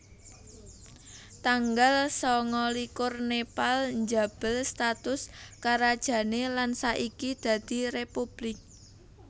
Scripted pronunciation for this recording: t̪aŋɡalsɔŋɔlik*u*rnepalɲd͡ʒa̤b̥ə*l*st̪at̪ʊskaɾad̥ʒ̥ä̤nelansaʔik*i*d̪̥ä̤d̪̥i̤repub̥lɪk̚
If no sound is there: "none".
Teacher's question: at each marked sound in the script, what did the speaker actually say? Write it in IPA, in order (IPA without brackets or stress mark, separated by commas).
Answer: ʊ, l, i